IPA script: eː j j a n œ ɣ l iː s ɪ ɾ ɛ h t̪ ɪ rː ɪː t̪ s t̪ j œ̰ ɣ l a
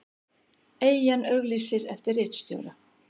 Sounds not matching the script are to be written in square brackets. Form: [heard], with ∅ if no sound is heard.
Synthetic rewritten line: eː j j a n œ ɣ l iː s ɪ ɾ ɛ [f] t̪ ɪ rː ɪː t̪ s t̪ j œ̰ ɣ [ɾ] a